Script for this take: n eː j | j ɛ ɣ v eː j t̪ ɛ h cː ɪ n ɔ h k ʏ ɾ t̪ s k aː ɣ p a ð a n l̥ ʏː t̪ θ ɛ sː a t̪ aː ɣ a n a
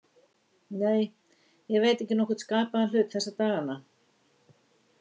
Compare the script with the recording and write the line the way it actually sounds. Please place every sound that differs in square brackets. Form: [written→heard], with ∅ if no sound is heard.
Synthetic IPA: n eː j | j ɛ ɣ v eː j t̪ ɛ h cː ɪ n ɔ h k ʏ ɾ t̪ s k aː [ɣ→∅] p a ð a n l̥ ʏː t̪ θ ɛ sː a t̪ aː ɣ a n a